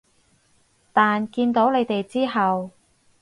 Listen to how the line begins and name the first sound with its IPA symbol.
t̪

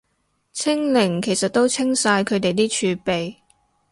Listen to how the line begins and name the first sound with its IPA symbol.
t͡sʰ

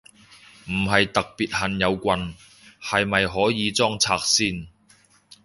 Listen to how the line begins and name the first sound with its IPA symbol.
m̩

